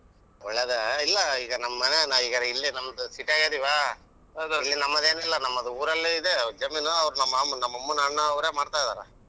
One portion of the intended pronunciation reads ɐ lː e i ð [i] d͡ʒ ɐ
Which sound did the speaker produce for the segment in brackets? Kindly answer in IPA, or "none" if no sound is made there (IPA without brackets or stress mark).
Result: e